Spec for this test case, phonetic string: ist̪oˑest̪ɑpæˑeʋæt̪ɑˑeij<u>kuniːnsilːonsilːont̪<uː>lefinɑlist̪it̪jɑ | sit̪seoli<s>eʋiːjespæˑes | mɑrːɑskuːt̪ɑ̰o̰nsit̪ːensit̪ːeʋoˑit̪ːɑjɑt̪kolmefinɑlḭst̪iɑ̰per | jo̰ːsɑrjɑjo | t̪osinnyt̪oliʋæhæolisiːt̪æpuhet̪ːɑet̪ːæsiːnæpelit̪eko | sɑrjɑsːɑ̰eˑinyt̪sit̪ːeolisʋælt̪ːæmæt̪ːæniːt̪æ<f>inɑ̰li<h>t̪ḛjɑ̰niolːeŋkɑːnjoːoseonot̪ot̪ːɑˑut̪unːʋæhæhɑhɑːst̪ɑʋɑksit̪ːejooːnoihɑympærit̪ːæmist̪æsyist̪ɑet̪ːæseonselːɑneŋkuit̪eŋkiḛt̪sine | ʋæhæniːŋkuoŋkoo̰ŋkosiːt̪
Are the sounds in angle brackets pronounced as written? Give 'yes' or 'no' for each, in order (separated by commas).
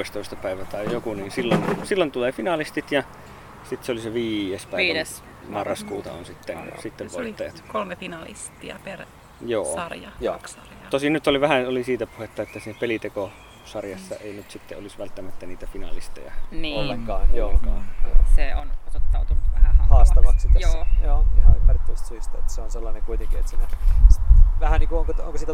no, no, yes, yes, no